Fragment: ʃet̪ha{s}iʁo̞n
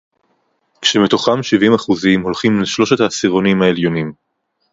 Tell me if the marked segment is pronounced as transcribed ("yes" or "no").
yes